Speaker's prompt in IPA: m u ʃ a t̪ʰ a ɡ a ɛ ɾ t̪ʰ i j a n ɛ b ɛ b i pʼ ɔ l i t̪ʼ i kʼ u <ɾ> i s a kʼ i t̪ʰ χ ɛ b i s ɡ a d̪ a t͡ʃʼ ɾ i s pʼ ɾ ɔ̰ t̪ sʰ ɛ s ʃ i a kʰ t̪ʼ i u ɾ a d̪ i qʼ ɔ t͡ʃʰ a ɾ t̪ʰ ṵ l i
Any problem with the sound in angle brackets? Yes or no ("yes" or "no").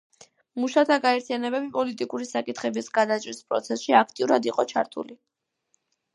no